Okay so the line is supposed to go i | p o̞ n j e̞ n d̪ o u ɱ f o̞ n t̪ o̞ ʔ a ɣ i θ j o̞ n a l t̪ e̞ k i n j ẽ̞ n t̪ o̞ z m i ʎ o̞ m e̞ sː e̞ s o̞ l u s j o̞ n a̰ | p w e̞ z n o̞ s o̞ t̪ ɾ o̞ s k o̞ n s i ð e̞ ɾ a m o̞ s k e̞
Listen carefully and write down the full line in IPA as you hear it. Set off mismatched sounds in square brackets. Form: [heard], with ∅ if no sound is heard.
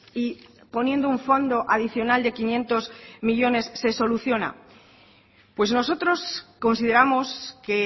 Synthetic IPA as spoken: i | p o̞ n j e̞ n d̪ o u ɱ f o̞ n [d̪] o̞ ʔ a [ð] i θ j o̞ n a l [d̪] e̞ k i n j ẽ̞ n t̪ o̞ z m i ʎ o̞ [n] e̞ sː e̞ s o̞ l u [θ] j o̞ n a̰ | p w e̞ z n o̞ s o̞ t̪ ɾ o̞ s k o̞ n s i ð e̞ ɾ a m o̞ s k e̞